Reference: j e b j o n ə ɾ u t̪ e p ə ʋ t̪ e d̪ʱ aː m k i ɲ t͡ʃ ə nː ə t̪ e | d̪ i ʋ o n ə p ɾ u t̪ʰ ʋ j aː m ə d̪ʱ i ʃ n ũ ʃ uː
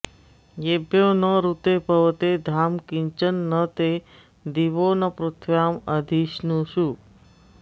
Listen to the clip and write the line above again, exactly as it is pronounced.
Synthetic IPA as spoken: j e b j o n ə ɾ u t̪ e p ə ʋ t̪ e d̪ʱ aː m k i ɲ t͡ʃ ə nː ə t̪ e | d̪ i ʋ o n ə p ɾ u t̪ʰ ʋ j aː m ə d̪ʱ i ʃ n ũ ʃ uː